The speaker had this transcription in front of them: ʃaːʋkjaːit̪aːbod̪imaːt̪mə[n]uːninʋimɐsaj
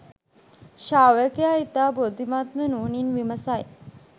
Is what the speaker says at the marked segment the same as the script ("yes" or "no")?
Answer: yes